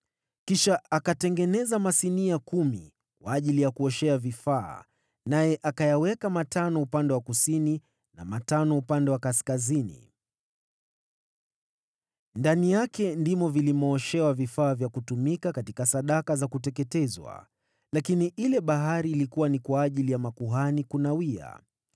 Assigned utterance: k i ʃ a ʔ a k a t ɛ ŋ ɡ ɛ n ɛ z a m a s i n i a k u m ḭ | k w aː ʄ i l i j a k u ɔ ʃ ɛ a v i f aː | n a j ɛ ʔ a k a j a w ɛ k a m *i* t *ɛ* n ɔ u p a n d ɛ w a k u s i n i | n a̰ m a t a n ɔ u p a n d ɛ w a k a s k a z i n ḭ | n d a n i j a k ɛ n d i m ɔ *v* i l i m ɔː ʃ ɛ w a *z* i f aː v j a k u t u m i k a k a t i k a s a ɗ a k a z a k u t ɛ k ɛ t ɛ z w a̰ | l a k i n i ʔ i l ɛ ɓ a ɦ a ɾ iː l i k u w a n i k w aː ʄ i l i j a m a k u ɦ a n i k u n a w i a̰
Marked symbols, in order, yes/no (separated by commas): no, no, yes, no